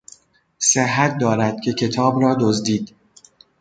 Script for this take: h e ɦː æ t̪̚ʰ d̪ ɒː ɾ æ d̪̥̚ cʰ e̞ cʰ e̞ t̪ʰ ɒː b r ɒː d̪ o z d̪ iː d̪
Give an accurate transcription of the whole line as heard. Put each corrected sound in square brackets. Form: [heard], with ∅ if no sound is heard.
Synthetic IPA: [s] e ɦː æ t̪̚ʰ d̪ ɒː ɾ æ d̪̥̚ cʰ e̞ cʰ e̞ t̪ʰ ɒː b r ɒː d̪ o z d̪ iː d̪